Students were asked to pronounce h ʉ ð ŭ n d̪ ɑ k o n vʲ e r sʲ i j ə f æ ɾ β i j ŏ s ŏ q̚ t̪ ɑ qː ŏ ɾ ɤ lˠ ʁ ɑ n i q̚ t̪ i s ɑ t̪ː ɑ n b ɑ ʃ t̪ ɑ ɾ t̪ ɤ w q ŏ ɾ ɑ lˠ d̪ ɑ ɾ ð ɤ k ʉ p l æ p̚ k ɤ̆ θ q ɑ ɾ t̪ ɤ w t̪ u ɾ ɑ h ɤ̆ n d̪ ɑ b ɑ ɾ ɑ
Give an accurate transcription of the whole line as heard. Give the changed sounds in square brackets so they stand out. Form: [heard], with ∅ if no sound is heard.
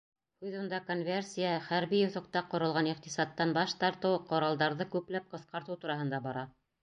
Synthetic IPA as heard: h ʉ ð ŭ n d̪ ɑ k o n vʲ e r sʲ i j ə [χ] æ ɾ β i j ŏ [θ] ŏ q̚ t̪ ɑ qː ŏ ɾ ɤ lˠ ʁ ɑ n i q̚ t̪ i s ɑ t̪ː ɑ n b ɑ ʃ t̪ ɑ ɾ t̪ ɤ w q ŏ ɾ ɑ lˠ d̪ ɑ ɾ ð ɤ k ʉ p l æ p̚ [q] ɤ̆ θ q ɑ ɾ t̪ ɤ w t̪ u ɾ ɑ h ɤ̆ n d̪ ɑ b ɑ ɾ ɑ